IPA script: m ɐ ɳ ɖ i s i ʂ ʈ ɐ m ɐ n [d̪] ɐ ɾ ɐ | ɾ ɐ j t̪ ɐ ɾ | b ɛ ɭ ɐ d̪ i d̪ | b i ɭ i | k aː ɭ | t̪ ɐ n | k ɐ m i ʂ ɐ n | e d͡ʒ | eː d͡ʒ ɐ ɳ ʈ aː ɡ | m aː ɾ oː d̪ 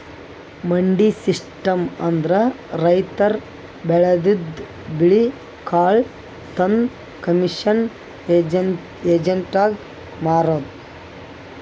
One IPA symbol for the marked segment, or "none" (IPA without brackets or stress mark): d̪